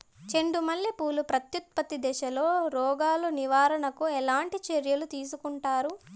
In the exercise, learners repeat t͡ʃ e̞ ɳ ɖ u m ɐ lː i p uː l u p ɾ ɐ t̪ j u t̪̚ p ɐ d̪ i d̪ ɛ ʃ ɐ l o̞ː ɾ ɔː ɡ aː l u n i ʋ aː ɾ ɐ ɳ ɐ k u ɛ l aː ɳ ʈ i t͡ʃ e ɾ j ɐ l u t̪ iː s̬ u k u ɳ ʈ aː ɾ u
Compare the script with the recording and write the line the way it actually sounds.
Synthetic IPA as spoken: t͡ʃ e̞ ɳ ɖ u m ɐ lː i p uː l u p ɾ ɐ t̪ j u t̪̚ p ɐ t̪ i d̪ ɛ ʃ ɐ l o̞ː ɾ ɔː ɡ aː l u n i ʋ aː ɾ ɐ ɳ ɐ k u ɛ l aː ɳ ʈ i t͡ʃ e ɾ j ɐ l u t̪ iː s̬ u k u ɳ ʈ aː ɾ u